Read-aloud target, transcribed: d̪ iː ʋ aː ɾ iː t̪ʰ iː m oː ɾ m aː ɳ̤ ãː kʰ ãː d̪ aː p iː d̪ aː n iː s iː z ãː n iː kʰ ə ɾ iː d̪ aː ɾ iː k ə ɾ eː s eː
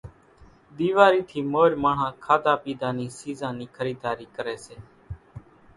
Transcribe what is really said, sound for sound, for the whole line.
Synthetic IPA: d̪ iː ʋ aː ɾ iː t̪ʰ iː m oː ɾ m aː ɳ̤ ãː kʰ aː d̪ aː p iː d̪ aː n iː s iː z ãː n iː kʰ ə ɾ iː d̪ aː ɾ iː k ə ɾ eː s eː